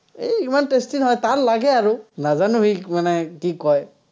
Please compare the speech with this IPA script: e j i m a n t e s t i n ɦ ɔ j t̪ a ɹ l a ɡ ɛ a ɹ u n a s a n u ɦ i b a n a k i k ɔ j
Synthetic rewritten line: e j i m a n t e s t i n ɦ ɔ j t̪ a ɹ l a ɡ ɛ a ɹ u n a z a n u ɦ i m a n ɛ k i k ɔ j